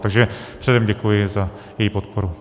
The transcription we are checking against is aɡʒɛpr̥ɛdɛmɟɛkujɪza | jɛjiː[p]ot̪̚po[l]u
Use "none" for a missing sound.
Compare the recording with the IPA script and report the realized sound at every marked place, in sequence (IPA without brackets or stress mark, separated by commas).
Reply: p, ɾ